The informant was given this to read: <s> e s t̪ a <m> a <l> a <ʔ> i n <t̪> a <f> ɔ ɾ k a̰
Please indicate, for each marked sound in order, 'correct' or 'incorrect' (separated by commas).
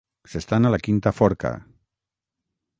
correct, incorrect, correct, incorrect, correct, correct